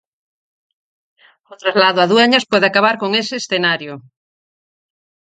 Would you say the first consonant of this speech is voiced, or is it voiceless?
voiceless